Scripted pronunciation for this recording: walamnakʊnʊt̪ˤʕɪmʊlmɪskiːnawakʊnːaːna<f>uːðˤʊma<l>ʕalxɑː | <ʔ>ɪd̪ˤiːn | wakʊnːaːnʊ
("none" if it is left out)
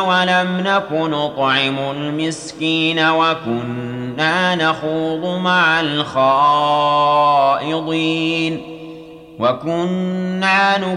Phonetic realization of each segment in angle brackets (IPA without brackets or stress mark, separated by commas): x, none, ʔ